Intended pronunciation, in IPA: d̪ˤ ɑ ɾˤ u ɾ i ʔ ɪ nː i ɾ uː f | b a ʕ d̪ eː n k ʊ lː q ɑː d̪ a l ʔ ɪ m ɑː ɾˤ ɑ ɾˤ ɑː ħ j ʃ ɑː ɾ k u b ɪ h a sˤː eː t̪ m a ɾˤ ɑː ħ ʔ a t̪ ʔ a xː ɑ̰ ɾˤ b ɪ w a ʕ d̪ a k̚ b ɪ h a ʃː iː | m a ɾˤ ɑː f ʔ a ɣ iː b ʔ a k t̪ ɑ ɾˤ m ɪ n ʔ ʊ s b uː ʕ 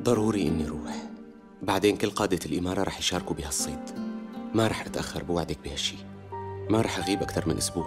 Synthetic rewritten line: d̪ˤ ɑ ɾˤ uː ɾ i ʔ ɪ nː i ɾ uː ħ | b a ʕ d̪ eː n k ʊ lː q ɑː d̪ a l ʔ ɪ m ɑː ɾˤ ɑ ɾˤ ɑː ħ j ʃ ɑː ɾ k u b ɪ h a sˤː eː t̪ m a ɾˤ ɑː ħ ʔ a t̪ ʔ a xː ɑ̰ ɾˤ b ɪ w a ʕ d̪ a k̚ b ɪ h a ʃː iː | m a ɾˤ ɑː ħ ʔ a ɣ iː b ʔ a k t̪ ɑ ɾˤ m ɪ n ʔ ʊ s b uː ʕ

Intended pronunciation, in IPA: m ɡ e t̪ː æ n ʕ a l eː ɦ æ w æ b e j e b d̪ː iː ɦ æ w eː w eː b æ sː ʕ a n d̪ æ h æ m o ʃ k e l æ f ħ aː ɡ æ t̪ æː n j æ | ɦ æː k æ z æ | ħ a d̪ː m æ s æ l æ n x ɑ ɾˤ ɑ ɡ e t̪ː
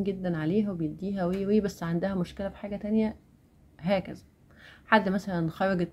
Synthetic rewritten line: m ɡ e d̪ː æ n ʕ a l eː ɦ æ w e b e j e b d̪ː iː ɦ æ w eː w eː b æ sː ʕ a n d̪ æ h æ m o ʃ k e l æ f ħ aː ɡ æ t̪ æ n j æ | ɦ æː k æ z æ | ħ a d̪ː m æ s æ l æ n x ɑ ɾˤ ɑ ɡ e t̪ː

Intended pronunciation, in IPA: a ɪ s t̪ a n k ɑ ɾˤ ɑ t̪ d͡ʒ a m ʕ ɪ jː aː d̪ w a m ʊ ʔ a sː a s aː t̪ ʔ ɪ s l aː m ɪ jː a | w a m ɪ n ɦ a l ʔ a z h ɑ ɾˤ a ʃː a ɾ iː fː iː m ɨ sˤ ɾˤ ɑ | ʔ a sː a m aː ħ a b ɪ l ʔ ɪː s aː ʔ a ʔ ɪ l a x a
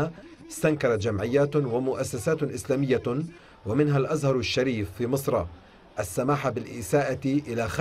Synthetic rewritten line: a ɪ s t̪ a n k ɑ ɾˤ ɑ t̪ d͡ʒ a m ʕ ɪ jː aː t̪ w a m ʊ ʔ a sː a s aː t̪ ʔ ɪ s l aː m ɪ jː a | w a m ɪ n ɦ a l ʔ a z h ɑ ɾˤ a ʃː a ɾ iː fː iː m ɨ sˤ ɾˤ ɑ | ʔ a sː a m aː ħ a b ɪ l ʔ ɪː s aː ʔ a ʔ ɪ l a x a

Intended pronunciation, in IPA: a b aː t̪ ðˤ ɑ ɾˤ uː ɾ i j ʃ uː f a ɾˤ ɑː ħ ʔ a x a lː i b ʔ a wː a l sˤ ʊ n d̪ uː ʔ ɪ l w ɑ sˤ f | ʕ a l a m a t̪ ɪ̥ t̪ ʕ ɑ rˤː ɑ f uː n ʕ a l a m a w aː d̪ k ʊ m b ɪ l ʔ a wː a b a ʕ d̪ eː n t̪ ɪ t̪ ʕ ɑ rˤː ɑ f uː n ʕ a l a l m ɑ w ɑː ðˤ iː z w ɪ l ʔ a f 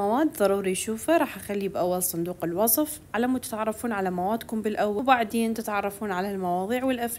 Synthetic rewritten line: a w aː d̪ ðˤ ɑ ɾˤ uː ɾ i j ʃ uː f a ɾˤ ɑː ħ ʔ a x a lː i b ʔ a wː a l sˤ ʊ n d̪ uː q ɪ l w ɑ sˤ f | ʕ a l a m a t̪ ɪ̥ t̪ ʕ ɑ rˤː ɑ f uː n ʕ a l a m a w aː d̪ k ʊ m b ɪ l ʔ a wː a b a ʕ d̪ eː n t̪ ɪ t̪ ʕ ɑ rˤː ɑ f uː n ʕ a l a l m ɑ w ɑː ðˤ iː ʕ w ɪ l ʔ a f

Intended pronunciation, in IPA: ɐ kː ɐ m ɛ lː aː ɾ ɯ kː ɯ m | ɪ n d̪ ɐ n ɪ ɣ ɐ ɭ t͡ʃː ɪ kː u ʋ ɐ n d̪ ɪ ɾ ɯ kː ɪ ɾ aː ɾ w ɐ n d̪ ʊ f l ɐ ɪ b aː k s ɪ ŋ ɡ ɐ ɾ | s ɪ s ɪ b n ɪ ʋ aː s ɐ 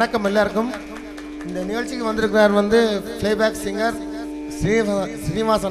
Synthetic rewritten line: ɐ kː ɐ m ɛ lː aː ɾ ɯ kː ɯ m | ɪ n d̪ ɐ n ɪ ɣ ɐ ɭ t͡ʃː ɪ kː ɯ ʋ ɐ n d̪ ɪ ɾ ɯ kː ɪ ɾ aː ɾ ʋ ɐ n d̪ ɯ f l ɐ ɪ b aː k s ɪ ŋ ɡ ɐ ɾ | s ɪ s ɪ n ɪ ʋ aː s ɐ

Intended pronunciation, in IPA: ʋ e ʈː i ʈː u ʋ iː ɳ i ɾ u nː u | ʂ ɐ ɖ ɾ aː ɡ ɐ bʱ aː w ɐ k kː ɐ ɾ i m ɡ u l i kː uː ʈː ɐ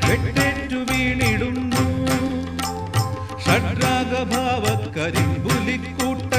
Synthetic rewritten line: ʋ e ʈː e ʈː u ʋ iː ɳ i ɽ u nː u | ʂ ɐ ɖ ɾ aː ɡ ɐ bʱ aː ʋ ɐ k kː ɐ ɾ i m b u l i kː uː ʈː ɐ

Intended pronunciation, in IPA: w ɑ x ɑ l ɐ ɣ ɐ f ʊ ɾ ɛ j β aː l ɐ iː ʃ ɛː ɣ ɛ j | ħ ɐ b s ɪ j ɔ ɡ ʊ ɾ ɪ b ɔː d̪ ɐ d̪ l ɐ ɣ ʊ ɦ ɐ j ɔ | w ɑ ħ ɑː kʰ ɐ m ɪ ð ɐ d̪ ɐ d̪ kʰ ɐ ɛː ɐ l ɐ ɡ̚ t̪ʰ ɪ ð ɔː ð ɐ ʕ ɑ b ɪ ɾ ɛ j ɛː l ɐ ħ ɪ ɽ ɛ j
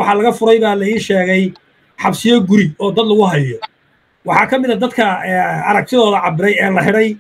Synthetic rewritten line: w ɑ ħ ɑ l ɐ ɣ ɐ f ʊ ɾ ɛ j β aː l ɐ iː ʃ ɛː ɣ ɛ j | ħ ɑ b s ɪ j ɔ ɡ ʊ ɾ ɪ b ɔː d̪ ɐ d̪ l ɐ ɣ ʊ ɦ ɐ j ɔ | w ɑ ħ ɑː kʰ ɐ m ɪ ð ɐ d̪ ɐ d̪ kʰ ɐ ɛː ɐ ɾ ɐ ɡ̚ t̪ʰ ɪ ð ɔː ð ɐ ʕ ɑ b ɪ ɾ ɛ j ɛː l ɐ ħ ɪ ɽ ɛ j

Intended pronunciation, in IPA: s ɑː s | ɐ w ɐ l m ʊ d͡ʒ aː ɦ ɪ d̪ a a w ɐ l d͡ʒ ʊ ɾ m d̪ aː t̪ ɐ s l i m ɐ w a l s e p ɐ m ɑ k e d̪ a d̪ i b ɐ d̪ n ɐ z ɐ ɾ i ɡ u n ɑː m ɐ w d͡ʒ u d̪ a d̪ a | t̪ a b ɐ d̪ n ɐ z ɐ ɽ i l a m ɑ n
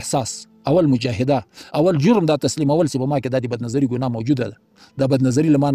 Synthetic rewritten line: s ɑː s | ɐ w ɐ l m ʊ d͡ʒ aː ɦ ɪ d̪ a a w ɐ l d͡ʒ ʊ ɾ m d̪ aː t̪ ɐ s l i m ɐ w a l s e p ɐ m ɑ k e d̪ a d̪ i b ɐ d̪ n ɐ z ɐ ɾ i ɡ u n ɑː m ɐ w d͡ʒ u d̪ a d̪ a | d̪ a b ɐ d̪ n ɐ z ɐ ɾ i l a m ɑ n

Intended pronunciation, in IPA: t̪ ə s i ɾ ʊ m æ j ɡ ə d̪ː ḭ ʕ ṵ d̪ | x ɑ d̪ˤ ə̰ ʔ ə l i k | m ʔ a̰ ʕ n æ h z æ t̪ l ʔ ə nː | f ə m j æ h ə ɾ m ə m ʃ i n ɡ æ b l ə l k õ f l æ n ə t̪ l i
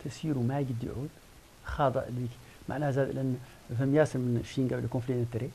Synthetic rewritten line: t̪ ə s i ɾ u m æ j ɡ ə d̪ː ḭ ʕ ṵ d̪ | x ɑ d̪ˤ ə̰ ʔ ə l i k | m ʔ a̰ ʕ n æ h z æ d̪ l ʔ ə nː | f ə m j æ s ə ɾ m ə n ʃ i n ɡ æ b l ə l k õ f l i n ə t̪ ɾ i

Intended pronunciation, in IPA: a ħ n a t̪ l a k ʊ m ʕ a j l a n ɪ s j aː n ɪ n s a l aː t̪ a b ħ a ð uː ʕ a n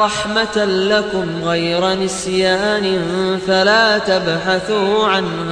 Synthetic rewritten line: ɑ ħ m a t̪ l a k ʊ m ɣ a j ɾ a n ɪ s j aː n ɪ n f a l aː t̪ a b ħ a θ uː ʕ a n

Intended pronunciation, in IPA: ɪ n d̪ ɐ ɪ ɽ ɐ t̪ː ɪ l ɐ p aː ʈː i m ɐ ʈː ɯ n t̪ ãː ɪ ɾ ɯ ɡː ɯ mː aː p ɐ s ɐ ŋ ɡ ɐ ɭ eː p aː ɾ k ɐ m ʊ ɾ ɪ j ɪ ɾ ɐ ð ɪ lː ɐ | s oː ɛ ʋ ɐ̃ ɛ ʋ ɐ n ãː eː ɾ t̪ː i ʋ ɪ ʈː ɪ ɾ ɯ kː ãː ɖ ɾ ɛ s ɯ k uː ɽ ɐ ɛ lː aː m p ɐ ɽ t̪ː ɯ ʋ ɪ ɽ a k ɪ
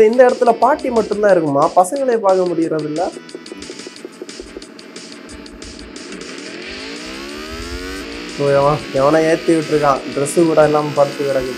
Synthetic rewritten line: ɪ n d̪ ɐ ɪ ɽ ɐ t̪ː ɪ l ɐ p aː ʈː i m ɐ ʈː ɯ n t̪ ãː ɪ ɾ ɯ kː ɯ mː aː p ɐ s ɐ ŋ ɡ ɐ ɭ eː p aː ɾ k ɐ m ʊ ɽ ɪ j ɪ ɾ ɐ ð ɪ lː ɐ | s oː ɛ ʋ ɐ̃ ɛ ʋ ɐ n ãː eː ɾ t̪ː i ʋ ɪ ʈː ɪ ɾ ɯ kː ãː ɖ ɾ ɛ s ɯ k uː ɽ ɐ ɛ lː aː m p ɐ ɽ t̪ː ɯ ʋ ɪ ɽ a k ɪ

